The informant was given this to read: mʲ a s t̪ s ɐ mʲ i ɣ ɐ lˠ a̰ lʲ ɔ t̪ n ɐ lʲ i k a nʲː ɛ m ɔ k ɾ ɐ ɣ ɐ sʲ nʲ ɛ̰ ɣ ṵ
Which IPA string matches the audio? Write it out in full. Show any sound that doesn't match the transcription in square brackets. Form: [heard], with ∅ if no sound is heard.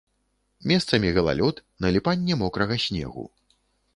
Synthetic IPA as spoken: mʲ [ɛ] s t̪ s ɐ mʲ i ɣ ɐ lˠ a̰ lʲ ɔ t̪ n ɐ lʲ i [p] a nʲː ɛ m ɔ k ɾ ɐ ɣ ɐ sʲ nʲ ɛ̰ ɣ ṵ